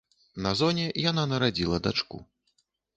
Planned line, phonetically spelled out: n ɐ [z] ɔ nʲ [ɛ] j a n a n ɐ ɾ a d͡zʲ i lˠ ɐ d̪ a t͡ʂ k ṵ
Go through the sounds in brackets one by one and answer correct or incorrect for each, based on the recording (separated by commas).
correct, correct